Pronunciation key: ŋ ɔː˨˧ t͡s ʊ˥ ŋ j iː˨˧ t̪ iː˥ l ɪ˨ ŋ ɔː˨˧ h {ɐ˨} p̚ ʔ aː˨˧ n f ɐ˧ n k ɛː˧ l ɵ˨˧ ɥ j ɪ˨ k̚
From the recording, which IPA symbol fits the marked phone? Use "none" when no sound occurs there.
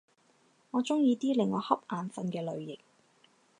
ɐ˥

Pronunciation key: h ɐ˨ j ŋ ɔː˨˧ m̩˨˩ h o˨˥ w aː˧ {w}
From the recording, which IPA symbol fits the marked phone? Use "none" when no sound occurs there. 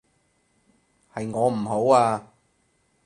none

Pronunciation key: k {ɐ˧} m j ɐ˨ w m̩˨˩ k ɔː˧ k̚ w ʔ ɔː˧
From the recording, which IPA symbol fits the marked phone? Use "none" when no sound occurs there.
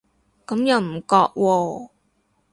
ɐ˨˥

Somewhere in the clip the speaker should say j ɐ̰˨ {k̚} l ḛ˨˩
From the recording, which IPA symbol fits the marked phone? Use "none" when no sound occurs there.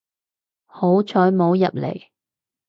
p̚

